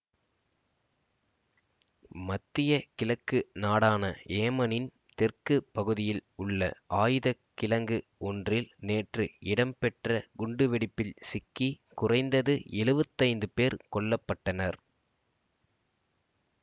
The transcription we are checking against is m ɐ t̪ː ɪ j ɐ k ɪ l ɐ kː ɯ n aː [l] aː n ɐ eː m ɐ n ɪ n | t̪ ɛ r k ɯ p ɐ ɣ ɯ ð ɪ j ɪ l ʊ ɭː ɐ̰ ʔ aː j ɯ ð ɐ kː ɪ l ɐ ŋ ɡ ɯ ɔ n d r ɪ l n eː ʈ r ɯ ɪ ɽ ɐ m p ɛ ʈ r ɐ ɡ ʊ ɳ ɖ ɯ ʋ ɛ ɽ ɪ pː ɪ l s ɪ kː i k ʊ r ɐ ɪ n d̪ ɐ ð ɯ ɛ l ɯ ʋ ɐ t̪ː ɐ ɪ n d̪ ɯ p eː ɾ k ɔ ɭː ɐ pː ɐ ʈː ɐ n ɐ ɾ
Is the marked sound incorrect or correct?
incorrect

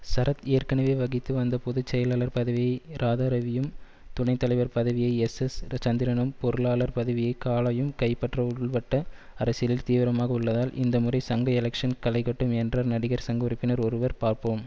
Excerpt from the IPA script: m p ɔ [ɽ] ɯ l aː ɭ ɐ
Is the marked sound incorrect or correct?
incorrect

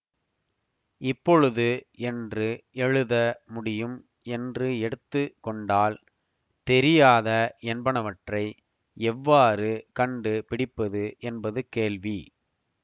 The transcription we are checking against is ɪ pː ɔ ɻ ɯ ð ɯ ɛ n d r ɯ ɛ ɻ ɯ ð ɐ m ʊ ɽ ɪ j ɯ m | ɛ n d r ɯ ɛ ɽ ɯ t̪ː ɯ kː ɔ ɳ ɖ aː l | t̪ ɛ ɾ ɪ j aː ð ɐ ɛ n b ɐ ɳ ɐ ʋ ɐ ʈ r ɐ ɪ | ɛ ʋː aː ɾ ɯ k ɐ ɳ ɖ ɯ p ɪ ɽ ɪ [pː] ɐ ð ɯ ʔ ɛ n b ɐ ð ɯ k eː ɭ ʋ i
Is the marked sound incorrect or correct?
correct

